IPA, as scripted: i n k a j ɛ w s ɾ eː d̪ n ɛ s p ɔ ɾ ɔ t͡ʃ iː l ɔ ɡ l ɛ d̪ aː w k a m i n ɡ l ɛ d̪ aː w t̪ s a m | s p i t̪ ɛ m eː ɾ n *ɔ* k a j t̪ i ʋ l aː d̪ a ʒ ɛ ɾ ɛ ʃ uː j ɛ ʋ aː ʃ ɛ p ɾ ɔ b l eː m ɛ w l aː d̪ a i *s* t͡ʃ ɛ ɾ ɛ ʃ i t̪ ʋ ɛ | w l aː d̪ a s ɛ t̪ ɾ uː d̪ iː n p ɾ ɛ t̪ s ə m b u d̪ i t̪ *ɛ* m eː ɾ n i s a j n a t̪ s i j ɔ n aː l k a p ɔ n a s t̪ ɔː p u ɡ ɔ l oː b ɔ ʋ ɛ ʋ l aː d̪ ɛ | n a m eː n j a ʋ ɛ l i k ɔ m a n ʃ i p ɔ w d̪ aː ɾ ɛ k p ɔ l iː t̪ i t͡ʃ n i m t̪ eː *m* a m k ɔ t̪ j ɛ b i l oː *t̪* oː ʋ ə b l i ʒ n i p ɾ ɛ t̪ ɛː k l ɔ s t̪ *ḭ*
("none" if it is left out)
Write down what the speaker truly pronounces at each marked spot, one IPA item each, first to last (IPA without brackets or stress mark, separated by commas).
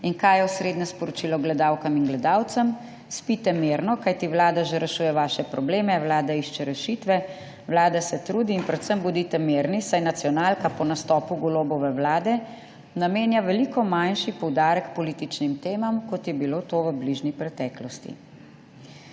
ɔ, ʃ, ɛ, m, t̪, ḭ